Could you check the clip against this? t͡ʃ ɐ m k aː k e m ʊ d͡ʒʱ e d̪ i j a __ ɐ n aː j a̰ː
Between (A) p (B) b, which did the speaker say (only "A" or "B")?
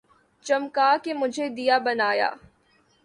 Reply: B